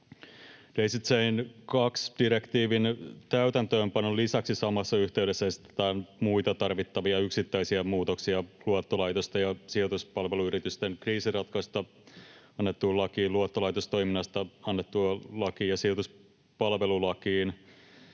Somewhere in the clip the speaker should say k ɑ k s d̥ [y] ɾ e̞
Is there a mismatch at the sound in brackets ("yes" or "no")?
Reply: yes